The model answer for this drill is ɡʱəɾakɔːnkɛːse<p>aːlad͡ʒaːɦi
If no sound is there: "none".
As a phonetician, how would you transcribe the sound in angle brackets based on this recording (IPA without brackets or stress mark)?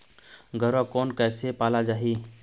p